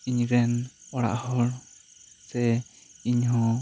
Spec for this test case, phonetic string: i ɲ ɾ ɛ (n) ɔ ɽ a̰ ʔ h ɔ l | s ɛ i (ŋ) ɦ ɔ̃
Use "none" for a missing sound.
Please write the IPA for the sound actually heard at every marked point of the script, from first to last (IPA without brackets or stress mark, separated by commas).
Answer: n, ɲ